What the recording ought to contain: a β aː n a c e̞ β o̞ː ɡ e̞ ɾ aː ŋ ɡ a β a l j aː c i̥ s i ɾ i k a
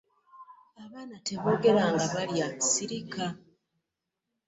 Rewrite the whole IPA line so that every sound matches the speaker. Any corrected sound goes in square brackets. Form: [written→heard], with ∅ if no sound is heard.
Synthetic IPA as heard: a β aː n a [c→t] e̞ β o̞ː ɡ e̞ ɾ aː ŋ ɡ a β a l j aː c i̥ s i ɾ i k a